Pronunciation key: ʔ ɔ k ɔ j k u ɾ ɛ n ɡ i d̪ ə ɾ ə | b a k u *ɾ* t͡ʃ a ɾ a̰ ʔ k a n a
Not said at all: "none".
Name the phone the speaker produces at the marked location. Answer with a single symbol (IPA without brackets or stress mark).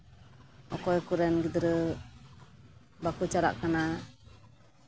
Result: none